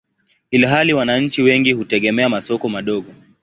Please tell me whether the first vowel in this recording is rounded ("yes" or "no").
no